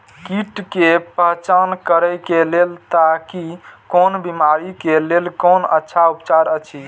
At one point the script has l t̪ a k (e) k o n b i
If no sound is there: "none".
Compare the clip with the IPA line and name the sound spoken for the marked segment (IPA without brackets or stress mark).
i